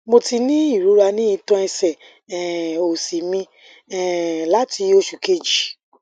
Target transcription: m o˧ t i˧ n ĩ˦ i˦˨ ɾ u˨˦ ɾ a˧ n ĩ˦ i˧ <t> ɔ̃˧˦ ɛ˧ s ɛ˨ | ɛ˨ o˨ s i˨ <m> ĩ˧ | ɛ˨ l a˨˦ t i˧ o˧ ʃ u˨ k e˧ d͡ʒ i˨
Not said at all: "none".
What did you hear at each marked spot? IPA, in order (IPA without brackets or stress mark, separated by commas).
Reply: t, m